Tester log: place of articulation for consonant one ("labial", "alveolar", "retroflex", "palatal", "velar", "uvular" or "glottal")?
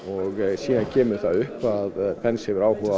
velar